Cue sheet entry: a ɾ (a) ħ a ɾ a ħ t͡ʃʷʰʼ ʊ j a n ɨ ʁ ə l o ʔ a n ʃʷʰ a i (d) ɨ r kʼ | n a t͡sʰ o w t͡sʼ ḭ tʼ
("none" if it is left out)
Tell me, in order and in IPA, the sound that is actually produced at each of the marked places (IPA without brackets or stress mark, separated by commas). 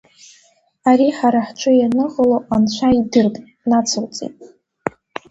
i, d